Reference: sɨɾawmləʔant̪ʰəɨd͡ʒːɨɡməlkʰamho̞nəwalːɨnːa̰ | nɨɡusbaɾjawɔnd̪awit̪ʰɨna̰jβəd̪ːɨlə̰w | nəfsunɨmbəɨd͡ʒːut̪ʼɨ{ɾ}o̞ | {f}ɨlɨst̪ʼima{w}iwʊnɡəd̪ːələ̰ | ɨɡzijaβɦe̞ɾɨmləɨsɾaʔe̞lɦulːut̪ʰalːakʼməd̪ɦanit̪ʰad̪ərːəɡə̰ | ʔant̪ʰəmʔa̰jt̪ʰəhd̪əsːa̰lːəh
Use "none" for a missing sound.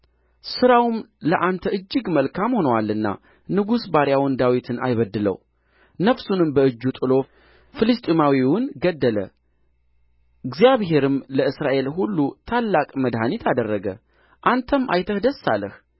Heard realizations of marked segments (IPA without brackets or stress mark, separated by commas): l, f, w